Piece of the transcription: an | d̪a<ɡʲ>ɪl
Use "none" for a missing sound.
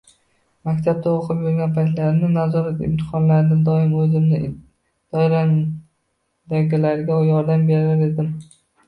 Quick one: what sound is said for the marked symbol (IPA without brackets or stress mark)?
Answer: ɡʲ